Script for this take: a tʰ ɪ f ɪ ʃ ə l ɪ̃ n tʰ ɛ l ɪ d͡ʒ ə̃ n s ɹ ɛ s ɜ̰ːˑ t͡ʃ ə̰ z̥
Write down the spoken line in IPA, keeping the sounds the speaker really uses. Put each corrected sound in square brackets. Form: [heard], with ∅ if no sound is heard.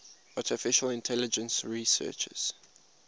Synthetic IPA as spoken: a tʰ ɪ f ɪ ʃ ə l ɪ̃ n tʰ ɛ l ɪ d͡ʒ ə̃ n s ɹ [i] s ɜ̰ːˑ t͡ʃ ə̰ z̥